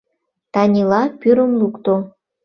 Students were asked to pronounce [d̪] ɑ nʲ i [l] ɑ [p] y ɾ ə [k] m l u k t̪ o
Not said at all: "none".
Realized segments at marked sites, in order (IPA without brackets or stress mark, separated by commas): t̪, l, p, none